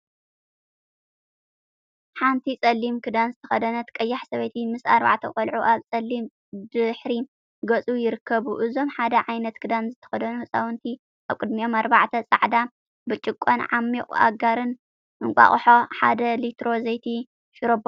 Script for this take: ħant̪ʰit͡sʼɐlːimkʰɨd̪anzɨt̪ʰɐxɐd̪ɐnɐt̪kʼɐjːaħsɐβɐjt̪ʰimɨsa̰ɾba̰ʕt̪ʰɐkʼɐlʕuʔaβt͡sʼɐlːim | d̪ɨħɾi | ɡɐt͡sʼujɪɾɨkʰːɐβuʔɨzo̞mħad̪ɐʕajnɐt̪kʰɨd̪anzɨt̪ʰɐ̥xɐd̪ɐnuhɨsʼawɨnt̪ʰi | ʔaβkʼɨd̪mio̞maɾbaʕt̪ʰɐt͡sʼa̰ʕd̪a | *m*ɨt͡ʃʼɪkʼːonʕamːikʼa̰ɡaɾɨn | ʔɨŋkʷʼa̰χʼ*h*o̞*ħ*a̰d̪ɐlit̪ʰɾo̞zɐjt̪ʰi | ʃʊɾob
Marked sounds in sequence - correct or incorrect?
incorrect: b, incorrect: ħ, correct

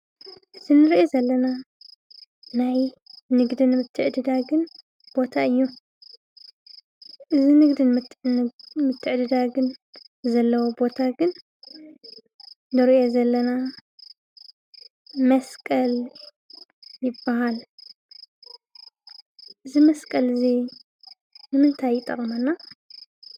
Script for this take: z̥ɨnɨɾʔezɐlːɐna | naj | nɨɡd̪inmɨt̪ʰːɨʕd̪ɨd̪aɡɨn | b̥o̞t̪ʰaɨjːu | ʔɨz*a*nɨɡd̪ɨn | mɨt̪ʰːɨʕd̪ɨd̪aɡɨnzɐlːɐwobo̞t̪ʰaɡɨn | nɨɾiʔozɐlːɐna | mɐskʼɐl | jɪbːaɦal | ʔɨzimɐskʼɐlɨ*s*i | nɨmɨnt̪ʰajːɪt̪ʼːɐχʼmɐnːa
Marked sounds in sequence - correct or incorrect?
incorrect: i, incorrect: z

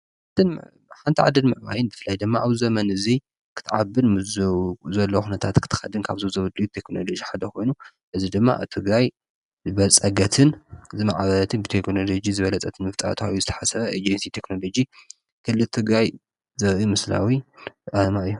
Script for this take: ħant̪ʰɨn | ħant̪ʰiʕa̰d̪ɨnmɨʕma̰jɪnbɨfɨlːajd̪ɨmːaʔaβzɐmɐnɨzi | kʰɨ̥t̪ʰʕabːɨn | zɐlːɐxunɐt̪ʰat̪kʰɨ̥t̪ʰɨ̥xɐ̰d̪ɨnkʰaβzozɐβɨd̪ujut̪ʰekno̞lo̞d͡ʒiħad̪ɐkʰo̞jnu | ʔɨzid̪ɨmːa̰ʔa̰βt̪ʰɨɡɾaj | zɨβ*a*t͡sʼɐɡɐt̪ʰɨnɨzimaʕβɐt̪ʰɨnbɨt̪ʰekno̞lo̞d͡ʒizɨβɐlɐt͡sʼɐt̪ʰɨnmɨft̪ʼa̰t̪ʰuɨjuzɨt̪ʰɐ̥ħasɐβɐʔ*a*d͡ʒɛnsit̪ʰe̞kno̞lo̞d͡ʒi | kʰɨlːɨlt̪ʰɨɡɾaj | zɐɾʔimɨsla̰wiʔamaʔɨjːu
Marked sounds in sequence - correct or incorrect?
incorrect: ɐ, incorrect: e

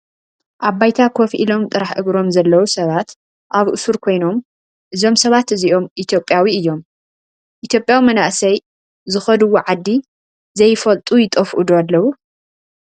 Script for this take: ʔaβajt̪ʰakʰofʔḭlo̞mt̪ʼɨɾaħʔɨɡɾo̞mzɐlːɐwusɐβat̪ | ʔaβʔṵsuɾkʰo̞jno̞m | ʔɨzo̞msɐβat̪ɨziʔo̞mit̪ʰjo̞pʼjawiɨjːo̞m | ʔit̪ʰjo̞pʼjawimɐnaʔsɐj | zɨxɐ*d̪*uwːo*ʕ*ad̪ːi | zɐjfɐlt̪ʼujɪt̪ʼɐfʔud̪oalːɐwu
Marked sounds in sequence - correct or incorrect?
correct, correct

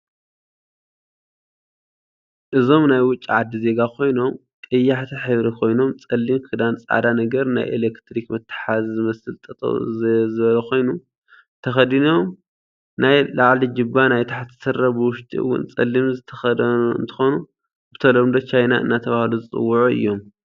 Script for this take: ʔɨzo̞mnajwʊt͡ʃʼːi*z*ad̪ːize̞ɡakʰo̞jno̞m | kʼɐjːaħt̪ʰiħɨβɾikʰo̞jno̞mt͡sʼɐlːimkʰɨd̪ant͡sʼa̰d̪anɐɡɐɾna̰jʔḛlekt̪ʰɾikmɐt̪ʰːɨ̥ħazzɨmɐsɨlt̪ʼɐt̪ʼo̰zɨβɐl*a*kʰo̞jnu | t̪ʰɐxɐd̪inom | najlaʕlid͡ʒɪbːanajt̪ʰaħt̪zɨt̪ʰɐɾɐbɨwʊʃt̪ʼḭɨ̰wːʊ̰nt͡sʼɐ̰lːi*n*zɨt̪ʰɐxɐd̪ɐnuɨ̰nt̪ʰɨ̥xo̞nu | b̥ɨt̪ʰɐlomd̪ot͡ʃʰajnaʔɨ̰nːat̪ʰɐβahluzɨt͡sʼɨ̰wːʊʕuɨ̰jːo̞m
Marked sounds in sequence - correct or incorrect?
incorrect: ʕ, incorrect: ɐ, incorrect: m

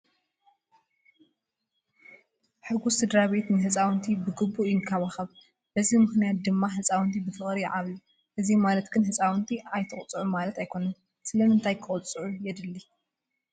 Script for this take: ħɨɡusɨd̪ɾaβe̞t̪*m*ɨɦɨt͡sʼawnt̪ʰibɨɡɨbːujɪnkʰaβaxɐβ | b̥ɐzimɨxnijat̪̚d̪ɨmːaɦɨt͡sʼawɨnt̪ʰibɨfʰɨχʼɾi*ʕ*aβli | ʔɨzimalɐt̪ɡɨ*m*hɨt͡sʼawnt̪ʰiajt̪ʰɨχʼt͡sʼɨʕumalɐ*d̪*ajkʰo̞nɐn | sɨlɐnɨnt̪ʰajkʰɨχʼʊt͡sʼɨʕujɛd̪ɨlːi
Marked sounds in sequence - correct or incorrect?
incorrect: n, correct, incorrect: n, incorrect: t̪

